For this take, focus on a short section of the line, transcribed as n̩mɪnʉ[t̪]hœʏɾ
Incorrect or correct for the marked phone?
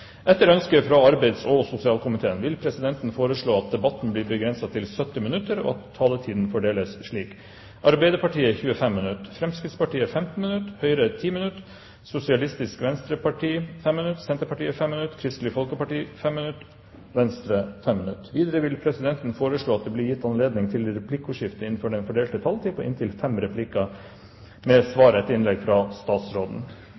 correct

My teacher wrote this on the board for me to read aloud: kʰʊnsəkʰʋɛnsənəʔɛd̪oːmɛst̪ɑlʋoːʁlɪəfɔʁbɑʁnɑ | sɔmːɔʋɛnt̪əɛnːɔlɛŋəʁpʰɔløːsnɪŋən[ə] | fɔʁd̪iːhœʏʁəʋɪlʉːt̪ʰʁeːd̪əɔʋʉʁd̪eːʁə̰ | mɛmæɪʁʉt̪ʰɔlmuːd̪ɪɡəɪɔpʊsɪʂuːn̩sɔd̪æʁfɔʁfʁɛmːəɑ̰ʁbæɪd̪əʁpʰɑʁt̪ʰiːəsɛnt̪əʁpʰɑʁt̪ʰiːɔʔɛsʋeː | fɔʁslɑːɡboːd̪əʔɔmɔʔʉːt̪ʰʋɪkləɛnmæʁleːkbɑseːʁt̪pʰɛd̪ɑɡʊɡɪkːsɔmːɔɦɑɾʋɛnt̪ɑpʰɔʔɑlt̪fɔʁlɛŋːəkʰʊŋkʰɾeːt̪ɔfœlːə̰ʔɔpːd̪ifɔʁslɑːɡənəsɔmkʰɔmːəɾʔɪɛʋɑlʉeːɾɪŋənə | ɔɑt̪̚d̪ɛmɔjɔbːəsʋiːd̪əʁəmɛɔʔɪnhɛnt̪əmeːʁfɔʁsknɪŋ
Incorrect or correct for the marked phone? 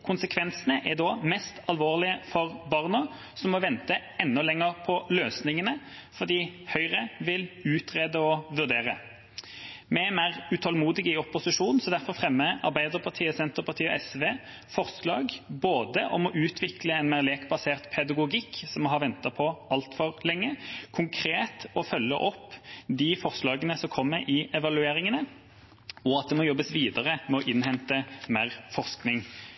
correct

